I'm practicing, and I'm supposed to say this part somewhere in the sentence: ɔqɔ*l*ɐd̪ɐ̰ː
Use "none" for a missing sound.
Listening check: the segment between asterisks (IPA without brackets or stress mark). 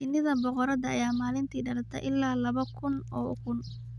ɾ